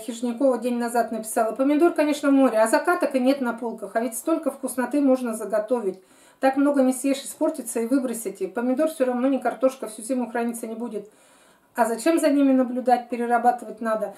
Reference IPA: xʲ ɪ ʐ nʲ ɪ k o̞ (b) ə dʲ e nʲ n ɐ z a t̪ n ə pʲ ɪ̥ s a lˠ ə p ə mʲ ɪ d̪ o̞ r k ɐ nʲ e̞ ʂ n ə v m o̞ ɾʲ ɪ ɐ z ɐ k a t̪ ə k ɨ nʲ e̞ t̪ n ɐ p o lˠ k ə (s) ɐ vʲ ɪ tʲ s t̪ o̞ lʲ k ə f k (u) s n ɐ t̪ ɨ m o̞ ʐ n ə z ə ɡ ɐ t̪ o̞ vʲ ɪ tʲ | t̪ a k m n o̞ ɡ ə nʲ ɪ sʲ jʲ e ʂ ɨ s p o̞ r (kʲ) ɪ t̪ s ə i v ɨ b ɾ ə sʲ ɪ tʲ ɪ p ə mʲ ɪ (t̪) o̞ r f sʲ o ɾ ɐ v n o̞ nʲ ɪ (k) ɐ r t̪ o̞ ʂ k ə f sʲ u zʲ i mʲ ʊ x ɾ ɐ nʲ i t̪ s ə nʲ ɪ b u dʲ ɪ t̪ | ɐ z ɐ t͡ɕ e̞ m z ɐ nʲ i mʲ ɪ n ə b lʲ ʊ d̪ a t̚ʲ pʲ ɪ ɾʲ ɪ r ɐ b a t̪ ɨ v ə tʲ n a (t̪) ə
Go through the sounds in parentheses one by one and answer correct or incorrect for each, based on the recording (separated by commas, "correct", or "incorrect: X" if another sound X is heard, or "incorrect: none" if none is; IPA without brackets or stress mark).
incorrect: v, incorrect: x, incorrect: ʊ, incorrect: tʲ, incorrect: d̪, correct, incorrect: d̪